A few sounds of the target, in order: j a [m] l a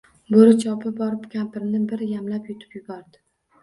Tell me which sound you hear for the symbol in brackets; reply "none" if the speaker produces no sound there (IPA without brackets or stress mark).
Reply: m